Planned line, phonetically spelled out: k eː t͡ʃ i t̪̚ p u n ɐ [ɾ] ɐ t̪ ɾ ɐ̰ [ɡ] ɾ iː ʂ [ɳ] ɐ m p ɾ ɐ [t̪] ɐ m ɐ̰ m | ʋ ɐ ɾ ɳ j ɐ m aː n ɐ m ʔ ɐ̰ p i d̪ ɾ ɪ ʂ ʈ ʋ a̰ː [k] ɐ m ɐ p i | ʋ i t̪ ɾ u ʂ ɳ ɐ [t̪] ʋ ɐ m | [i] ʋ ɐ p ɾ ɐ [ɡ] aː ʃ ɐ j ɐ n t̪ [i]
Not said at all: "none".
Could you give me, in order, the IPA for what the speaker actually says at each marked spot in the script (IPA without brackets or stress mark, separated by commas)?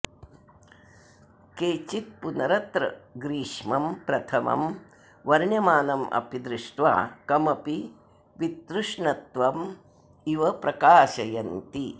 ɾ, ɡ, m, t̪ʰ, k, t̪, i, k, i